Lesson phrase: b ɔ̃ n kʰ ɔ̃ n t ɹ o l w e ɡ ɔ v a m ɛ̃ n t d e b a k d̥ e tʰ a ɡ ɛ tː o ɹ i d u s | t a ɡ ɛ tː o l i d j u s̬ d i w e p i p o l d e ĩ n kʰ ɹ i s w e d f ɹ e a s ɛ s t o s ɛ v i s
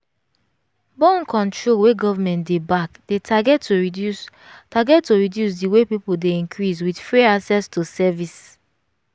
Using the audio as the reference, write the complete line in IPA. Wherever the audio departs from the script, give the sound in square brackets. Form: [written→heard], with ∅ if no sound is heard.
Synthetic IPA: b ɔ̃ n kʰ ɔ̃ n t ɹ o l w e ɡ ɔ v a m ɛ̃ n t d e b a k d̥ e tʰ a ɡ ɛ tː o ɹ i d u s | t a ɡ ɛ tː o [l→ɹ] i d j u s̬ d i w e p i p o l d e ĩ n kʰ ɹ i s w [e→i] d f ɹ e a s ɛ s t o s ɛ v i s